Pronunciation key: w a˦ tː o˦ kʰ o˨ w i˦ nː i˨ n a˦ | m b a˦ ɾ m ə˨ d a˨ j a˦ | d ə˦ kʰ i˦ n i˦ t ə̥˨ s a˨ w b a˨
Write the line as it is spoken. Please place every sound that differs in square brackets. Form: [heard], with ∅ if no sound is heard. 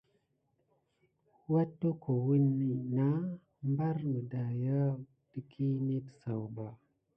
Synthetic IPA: w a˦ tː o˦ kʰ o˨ w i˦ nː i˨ n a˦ | m b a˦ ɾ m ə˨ d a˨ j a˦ | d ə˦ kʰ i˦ n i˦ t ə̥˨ s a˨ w b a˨